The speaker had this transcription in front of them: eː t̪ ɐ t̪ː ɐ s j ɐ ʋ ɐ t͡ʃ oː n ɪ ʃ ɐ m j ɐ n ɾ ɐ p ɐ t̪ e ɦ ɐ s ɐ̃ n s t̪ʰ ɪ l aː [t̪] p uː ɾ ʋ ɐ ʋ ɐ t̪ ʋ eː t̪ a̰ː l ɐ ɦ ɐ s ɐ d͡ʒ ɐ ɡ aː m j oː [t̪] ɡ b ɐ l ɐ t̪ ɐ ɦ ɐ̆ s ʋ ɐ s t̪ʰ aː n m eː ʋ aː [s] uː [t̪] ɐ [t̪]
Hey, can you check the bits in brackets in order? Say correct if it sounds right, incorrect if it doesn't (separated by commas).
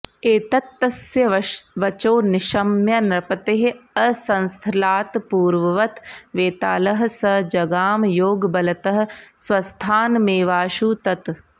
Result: correct, incorrect, incorrect, correct, correct